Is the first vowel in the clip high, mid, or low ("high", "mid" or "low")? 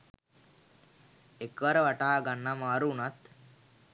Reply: mid